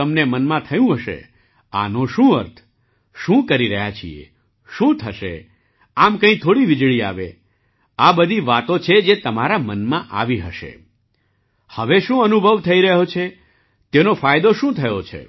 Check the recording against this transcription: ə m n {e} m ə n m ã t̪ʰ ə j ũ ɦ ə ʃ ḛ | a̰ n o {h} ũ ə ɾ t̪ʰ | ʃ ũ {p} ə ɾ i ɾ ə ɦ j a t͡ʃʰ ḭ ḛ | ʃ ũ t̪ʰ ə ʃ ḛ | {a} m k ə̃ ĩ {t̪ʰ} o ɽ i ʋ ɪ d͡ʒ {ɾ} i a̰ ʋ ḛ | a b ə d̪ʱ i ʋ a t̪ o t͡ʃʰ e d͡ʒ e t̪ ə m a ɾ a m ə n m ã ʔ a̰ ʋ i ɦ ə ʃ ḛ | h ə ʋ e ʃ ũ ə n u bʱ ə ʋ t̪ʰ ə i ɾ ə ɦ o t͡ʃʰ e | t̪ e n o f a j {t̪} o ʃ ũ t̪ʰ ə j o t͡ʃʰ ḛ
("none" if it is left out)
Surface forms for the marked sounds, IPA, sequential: e, ʃ, k, a, t̪ʰ, ɭ, d̪

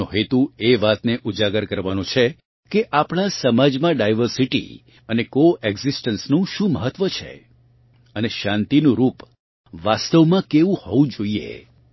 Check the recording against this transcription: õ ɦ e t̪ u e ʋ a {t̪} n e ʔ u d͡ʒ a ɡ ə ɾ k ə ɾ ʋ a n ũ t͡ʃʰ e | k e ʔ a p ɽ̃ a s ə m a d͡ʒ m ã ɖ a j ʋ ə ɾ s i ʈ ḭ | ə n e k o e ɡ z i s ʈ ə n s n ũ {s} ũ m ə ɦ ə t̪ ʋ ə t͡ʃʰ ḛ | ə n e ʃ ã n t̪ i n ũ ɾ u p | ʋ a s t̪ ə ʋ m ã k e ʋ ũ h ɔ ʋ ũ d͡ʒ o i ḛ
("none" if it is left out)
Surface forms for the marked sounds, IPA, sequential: t̪, ʃ

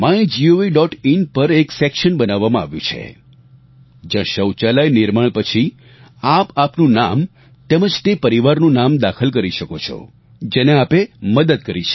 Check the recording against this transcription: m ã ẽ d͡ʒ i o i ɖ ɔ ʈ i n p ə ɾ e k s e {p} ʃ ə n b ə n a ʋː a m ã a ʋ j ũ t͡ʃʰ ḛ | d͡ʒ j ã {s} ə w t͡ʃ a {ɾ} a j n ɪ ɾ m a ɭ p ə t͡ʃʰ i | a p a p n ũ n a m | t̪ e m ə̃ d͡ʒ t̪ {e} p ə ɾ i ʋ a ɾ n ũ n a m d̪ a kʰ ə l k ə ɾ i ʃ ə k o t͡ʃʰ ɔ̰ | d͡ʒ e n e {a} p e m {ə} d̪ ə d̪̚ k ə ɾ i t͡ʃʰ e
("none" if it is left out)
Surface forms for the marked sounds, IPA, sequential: k, ʃ, l, e, a, ə

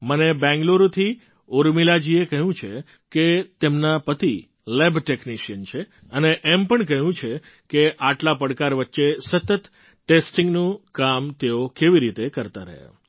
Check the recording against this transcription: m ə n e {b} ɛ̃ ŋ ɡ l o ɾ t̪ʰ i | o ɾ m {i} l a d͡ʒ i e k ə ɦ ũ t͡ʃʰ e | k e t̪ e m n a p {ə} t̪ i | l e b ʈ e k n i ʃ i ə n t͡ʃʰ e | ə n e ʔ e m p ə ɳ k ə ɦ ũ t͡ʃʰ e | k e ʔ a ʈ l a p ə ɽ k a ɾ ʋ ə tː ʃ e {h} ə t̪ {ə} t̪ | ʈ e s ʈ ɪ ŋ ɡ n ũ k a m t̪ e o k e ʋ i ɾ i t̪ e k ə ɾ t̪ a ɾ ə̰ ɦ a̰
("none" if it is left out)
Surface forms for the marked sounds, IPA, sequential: b, i, ə, s, ə

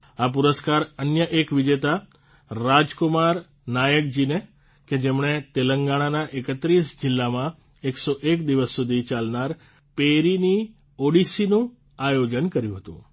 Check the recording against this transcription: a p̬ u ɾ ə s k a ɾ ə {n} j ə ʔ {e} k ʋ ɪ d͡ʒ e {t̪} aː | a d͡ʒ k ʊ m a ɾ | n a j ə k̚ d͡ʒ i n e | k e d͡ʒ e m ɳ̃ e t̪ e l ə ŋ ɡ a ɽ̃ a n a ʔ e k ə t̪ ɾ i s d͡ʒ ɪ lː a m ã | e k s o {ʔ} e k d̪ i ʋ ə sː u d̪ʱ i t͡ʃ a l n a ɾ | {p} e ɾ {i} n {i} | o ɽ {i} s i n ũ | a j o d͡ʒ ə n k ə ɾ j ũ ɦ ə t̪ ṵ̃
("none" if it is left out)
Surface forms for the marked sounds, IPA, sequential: n, e, t̪, ʔ, p, i, i, i

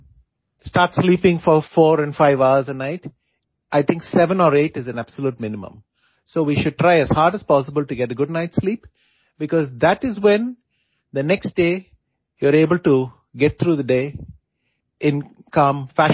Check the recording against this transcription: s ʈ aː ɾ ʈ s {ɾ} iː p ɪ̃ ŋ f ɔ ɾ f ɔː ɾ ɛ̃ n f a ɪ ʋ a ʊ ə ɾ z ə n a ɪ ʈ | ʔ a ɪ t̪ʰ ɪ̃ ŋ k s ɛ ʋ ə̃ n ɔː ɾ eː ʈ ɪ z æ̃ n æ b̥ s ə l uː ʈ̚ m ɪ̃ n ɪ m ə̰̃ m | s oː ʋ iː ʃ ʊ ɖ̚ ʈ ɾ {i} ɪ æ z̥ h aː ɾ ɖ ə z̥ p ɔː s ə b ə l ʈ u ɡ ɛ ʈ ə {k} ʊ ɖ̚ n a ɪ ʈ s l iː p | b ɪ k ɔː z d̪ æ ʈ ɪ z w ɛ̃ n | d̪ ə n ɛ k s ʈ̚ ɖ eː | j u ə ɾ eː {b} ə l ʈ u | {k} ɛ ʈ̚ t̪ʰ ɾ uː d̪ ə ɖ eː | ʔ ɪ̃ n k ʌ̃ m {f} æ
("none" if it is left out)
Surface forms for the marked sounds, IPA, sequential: l, a, ɡ, b, ɡ, f

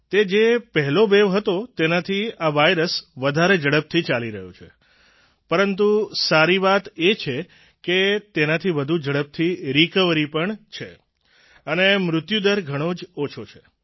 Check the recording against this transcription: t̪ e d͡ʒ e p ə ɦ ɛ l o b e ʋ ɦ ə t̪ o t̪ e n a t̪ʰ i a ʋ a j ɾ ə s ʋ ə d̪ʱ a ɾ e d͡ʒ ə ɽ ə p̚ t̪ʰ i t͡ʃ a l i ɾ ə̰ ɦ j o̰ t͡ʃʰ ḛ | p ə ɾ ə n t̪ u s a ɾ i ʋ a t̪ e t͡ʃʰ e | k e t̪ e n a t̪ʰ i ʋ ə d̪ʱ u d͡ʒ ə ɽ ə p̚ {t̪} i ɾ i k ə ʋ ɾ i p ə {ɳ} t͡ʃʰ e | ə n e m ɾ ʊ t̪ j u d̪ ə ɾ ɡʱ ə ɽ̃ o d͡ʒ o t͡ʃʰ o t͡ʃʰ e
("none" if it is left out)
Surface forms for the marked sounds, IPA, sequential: t̪ʰ, ɳ

